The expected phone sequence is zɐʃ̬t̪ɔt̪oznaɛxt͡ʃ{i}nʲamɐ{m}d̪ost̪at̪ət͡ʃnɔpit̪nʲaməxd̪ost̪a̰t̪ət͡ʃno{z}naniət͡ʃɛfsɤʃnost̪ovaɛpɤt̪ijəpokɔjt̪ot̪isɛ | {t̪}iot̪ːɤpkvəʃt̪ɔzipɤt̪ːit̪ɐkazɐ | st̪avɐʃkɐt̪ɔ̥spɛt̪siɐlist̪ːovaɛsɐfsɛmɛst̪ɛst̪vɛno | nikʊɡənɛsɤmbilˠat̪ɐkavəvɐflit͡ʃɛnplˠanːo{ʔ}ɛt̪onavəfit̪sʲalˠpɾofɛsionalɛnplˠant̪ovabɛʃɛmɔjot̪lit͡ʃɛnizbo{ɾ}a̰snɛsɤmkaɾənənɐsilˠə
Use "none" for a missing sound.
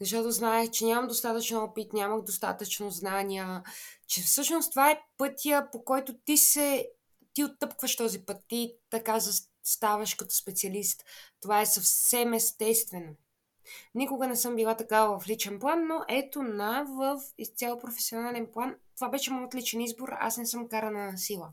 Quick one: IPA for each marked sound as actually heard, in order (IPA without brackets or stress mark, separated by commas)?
ɛ, m, z, t̪, ʔ, ɾ